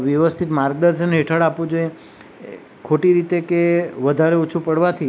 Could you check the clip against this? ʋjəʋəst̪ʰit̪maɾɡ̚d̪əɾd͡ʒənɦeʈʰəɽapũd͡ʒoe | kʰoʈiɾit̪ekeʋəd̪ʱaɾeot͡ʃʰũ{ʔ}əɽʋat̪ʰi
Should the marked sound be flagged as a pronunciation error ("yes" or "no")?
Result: yes